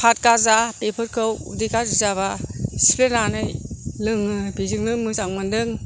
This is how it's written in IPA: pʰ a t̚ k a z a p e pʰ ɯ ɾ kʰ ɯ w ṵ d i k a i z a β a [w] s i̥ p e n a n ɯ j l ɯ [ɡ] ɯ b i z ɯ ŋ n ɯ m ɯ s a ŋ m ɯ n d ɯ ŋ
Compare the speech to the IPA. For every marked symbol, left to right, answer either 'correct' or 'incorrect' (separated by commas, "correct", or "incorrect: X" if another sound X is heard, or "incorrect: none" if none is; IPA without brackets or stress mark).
incorrect: none, incorrect: ŋ